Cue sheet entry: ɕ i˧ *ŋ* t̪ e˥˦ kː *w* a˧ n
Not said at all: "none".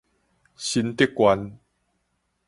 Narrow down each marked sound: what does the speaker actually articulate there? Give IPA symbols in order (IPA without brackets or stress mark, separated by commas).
n, w